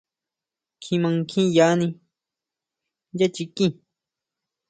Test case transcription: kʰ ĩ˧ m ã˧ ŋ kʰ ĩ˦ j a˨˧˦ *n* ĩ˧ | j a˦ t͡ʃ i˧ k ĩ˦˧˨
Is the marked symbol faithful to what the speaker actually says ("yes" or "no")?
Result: yes